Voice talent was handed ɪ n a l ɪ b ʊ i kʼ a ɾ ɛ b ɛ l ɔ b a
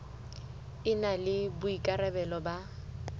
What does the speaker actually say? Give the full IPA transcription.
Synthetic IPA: ɪ n a l ɪ b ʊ i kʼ a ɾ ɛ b ɛ l ɔ b a

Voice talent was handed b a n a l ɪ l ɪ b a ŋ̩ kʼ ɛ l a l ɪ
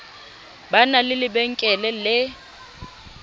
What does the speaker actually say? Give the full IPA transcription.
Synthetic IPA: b a n a l ɪ l ɪ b ɛ ŋ̩ kʼ ɛ l ɛ l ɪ

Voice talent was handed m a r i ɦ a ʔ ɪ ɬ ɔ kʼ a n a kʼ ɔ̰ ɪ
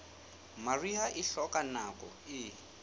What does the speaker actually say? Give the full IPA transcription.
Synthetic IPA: m a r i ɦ a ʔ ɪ ɬ ɔ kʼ a n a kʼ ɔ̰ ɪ

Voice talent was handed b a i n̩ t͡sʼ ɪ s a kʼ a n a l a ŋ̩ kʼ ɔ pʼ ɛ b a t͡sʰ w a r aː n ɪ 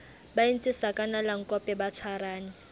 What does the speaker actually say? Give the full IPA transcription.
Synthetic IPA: b a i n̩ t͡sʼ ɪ s a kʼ a n a l a ŋ̩ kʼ ɔ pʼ ɛ b a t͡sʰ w a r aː n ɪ

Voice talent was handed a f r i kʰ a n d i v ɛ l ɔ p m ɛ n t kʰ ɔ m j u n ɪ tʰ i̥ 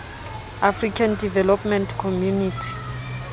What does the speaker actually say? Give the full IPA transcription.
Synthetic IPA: a f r i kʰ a n d i v ɛ l ɔ p m ɛ n t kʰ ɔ m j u n i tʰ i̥

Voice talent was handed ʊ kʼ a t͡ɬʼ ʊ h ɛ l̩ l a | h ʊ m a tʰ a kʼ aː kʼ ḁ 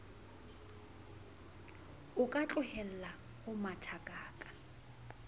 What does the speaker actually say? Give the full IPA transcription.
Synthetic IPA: ʊ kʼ a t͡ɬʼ ʊ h ɛ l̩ l a | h ʊ m a tʰ a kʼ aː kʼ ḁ

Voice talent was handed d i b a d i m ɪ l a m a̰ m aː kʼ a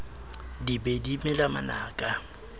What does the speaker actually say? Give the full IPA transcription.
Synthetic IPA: d i b e d i m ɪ l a m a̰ n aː kʼ a

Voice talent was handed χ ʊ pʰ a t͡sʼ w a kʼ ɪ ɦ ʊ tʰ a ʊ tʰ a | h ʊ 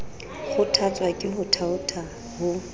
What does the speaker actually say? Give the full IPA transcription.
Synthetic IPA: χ ʊ tʰ a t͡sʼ w a kʼ ɪ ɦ ʊ tʰ a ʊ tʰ a | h ʊ

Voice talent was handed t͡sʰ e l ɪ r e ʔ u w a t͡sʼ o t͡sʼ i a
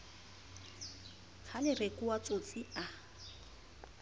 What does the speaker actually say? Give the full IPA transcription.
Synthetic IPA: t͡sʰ a l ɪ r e k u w a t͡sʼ o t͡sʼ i a

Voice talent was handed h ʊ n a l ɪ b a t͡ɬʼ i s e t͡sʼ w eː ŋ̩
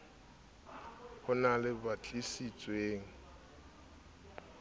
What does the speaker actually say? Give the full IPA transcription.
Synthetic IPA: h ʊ n a l ɪ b a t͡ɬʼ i s i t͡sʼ w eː ŋ̩

